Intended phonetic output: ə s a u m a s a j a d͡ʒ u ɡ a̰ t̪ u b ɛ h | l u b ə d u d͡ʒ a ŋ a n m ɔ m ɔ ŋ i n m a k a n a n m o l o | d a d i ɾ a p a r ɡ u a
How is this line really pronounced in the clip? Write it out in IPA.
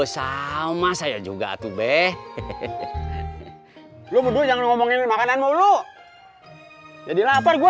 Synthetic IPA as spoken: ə s a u m a s a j a d͡ʒ u ɡ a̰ t̪ u b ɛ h | l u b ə d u d͡ʒ a ŋ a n ŋ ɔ m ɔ ŋ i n m a k a n a n m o l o | d͡ʒ a d i l a p a r ɡ u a